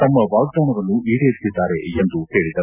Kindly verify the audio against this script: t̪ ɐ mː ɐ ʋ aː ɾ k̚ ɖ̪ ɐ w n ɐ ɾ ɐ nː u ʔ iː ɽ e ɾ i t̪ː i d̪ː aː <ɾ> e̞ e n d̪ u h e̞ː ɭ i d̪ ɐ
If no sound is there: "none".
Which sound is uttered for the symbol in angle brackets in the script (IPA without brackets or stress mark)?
ɾ